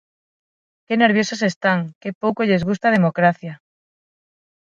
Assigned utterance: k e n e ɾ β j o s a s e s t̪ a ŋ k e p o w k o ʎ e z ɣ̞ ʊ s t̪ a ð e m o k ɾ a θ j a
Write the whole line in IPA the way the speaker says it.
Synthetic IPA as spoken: k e n e ɾ β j o s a s e s t̪ a ŋ k e p o w k o ʎ e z ɣ̞ u s t̪ a ð e m o k ɾ a θ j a